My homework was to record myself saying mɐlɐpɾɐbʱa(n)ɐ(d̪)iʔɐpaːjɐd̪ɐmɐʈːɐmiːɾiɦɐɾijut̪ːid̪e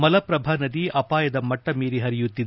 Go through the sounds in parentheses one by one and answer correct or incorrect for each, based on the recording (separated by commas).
correct, correct